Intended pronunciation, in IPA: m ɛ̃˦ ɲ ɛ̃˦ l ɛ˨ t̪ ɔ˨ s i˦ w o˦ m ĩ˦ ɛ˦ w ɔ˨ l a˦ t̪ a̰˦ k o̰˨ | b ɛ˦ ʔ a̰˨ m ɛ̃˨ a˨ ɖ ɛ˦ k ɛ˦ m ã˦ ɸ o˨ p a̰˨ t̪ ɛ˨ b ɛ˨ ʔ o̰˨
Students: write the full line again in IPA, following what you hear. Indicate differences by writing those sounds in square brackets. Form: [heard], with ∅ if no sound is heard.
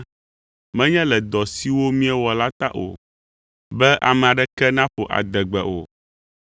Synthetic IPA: m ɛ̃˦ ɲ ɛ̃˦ l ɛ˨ [d̪] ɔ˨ s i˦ w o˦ m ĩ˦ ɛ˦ w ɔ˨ l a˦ t̪ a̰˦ [ʔ] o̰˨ | b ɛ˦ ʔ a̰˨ m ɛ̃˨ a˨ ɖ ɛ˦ k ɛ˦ [n] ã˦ ɸ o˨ [ʔ] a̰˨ [d̪] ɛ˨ [ɡ͡b] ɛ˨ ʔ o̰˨

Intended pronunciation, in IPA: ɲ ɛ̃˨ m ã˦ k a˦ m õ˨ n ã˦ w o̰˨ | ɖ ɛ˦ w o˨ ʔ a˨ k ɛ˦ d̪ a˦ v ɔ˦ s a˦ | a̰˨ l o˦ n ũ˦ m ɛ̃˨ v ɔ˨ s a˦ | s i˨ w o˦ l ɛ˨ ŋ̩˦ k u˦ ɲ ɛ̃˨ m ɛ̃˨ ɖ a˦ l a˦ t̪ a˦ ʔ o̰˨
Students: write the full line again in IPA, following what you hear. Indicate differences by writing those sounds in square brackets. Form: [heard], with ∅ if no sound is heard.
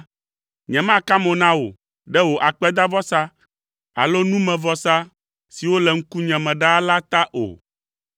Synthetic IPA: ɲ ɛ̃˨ m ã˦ k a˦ m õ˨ n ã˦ w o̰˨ | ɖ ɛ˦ w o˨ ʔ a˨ [k͡p] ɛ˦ d̪ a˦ v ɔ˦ s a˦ | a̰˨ l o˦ n ũ˦ m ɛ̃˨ v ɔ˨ s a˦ | s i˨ w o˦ l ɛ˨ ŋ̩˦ k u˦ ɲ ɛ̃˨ m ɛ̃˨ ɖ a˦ l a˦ t̪ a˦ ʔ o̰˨

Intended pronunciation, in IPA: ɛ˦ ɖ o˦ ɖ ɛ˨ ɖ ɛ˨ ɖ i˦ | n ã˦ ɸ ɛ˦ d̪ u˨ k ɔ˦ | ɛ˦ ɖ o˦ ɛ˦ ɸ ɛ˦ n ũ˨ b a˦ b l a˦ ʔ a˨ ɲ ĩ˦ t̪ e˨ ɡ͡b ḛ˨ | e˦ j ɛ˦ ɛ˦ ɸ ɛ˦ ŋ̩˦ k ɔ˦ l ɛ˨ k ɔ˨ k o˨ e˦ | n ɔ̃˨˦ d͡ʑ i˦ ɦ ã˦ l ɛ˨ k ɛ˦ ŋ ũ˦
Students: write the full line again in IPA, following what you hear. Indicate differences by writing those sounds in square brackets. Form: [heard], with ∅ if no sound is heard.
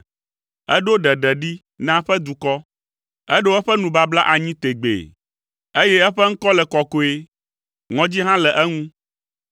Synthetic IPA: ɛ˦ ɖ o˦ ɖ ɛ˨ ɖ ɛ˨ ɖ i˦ | n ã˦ ɸ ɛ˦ d̪ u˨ k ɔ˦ | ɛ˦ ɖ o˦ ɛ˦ ɸ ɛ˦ n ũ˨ b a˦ b l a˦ ʔ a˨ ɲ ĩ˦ t̪ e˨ ɡ͡b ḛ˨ | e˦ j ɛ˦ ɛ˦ ɸ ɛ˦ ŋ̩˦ k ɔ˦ l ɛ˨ k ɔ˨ k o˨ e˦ | [ŋ] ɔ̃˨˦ d͡ʑ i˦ ɦ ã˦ l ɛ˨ [ʔ] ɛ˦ ŋ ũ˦

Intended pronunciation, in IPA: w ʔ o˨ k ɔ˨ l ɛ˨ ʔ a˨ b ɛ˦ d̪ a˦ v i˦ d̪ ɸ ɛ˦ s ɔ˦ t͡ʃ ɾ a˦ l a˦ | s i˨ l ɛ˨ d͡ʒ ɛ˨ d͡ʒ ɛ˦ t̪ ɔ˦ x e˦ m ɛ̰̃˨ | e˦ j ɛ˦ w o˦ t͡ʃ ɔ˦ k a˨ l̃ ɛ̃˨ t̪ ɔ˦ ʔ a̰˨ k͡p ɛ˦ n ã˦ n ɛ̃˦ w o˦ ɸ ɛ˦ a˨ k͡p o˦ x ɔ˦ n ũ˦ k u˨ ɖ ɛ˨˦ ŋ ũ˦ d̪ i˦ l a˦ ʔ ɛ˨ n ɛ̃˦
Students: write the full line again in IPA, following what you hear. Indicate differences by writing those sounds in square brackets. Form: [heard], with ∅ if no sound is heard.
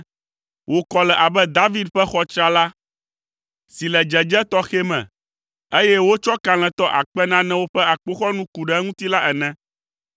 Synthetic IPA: w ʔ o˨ k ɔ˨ l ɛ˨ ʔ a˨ b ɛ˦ d̪ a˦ v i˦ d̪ ɸ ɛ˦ [x] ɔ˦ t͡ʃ ɾ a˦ l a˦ | s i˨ l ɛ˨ d͡ʒ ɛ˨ d͡ʒ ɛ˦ t̪ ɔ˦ x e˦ m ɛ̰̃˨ | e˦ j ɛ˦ w o˦ t͡ʃ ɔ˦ k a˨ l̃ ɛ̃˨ t̪ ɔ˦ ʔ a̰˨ k͡p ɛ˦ n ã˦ n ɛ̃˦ w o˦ ɸ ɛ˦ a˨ k͡p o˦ x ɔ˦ n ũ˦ k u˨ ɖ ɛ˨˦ ŋ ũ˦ [t̪] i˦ l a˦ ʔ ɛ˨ n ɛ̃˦

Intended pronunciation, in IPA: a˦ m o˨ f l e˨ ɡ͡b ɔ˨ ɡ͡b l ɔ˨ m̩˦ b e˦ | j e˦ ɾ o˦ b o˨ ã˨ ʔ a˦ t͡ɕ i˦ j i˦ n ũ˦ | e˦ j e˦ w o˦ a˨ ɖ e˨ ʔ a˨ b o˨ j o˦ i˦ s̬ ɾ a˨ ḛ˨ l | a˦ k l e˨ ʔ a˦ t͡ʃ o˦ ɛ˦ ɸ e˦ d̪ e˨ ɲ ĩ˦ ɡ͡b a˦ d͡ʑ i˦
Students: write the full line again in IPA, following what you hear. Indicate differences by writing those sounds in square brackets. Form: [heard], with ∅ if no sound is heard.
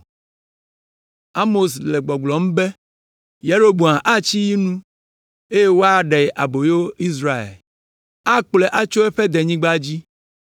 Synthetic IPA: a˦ m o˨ [s] l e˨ ɡ͡b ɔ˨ ɡ͡b l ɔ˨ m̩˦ b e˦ | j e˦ ɾ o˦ b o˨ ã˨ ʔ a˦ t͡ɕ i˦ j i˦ n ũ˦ | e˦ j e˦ w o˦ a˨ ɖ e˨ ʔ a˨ b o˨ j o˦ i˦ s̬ ɾ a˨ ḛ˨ l | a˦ [k͡p] l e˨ ʔ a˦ t͡ʃ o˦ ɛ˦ ɸ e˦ d̪ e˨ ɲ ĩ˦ ɡ͡b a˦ d͡ʑ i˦

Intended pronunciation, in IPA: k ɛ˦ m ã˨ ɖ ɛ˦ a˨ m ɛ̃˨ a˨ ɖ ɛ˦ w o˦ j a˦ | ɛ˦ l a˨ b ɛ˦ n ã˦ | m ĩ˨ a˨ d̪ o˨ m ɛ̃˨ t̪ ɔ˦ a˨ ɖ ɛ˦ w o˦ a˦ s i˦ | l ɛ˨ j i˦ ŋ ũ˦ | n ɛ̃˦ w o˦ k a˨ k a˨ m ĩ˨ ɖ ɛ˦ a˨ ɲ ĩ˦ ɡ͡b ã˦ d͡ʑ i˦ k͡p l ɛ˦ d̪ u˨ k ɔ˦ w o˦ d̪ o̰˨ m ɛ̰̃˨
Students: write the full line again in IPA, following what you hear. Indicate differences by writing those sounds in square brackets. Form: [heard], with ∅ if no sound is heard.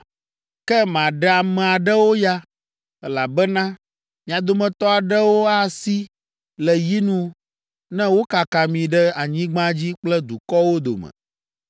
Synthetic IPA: k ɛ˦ m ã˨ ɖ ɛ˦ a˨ m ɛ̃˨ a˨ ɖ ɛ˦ w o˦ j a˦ | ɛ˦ l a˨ b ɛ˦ n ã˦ | m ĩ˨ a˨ d̪ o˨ m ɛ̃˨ t̪ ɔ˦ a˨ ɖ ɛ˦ w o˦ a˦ s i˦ | l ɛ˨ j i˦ [n] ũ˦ | n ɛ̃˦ w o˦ k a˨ k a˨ m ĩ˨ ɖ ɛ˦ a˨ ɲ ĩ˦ ɡ͡b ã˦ d͡ʑ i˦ k͡p l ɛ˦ d̪ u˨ k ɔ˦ w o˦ d̪ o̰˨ m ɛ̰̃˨

